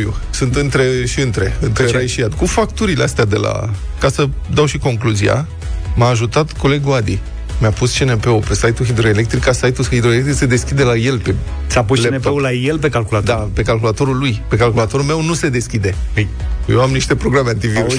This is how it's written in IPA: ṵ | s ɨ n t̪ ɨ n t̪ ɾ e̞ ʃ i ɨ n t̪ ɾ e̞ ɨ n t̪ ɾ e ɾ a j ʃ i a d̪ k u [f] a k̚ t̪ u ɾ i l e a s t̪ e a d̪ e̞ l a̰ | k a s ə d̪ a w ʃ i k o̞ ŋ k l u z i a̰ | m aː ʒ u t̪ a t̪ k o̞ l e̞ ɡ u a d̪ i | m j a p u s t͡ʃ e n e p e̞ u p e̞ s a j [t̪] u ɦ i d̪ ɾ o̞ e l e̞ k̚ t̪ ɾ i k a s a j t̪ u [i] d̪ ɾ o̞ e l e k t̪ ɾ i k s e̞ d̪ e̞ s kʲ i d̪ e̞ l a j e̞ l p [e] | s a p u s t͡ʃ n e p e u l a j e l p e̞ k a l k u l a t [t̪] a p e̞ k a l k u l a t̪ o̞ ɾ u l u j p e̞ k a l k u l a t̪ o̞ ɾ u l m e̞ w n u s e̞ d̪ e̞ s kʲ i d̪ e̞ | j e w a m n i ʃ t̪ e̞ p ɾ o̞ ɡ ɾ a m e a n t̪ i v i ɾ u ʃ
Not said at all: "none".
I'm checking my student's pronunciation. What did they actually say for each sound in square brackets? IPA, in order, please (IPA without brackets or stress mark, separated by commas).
f, t̪, i, e, d̪